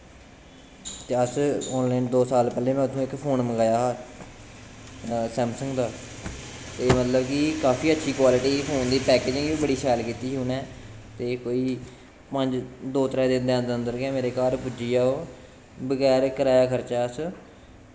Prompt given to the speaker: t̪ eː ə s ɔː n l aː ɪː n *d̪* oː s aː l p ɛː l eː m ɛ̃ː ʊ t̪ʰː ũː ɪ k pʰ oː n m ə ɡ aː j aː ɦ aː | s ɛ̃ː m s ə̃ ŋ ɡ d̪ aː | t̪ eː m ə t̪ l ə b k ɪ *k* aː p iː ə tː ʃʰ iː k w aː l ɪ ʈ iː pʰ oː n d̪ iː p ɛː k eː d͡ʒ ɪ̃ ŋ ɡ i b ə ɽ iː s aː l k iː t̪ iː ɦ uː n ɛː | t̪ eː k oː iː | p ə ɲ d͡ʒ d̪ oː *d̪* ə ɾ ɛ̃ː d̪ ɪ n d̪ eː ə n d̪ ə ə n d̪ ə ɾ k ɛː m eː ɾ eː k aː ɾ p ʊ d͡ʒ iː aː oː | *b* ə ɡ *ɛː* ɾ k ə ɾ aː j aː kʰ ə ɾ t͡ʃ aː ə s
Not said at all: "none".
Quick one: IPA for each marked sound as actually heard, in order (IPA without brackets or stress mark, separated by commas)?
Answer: d̪, k, t̪, b, ɛː